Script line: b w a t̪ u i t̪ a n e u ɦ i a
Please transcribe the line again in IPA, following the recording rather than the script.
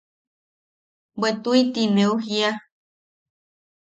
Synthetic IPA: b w e t̪ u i t̪ i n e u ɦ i a